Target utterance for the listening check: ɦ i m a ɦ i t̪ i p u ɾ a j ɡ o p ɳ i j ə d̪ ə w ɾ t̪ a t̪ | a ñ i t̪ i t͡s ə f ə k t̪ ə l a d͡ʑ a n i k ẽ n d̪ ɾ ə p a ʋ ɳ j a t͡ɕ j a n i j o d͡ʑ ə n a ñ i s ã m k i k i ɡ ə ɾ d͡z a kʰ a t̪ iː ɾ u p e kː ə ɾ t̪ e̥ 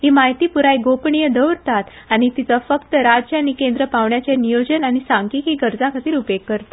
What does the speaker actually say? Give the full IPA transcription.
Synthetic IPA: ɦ i m a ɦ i t̪ i p u ɾ a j ɡ o p ɳ i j ə d̪ ə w ɾ t̪ a t̪ | a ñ i t̪ i t͡s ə f ə k t̪ ə ɾ a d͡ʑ a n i k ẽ n d̪ ɾ ə p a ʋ ɳ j a t͡ɕ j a n i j o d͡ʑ ə n a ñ i s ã ŋ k i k i ɡ ə ɾ d͡z a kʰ a t̪ iː ɾ u p e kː ə ɾ t̪ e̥